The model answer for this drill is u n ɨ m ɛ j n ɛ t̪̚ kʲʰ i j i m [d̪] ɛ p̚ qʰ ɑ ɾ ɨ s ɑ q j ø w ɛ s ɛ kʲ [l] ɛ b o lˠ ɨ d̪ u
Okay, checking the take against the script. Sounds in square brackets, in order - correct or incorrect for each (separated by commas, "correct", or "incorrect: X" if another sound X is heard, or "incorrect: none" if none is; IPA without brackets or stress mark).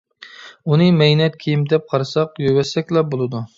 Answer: correct, correct